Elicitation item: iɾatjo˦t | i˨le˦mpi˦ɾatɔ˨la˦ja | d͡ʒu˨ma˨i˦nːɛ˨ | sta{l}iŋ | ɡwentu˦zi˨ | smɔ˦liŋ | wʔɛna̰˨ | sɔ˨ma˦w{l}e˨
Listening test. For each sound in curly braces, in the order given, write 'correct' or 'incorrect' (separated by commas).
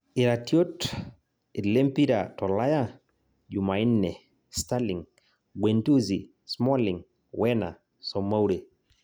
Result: correct, incorrect